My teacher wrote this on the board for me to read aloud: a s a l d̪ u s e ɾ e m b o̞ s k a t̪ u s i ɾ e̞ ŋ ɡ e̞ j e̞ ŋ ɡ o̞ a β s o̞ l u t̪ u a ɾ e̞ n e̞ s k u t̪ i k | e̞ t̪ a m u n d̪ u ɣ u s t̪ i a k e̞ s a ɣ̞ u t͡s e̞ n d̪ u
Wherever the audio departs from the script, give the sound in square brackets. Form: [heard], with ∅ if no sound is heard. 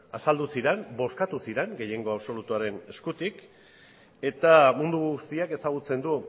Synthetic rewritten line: a s a l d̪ u s [i] ɾ e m b o̞ s k a t̪ u s i ɾ e̞ ŋ ɡ e̞ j e̞ ŋ ɡ o̞ a β s o̞ l u t̪ u a ɾ e̞ n e̞ s k u t̪ i k | e̞ t̪ a m u n d̪ u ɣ u s t̪ i a k e̞ s a ɣ̞ u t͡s e̞ n d̪ u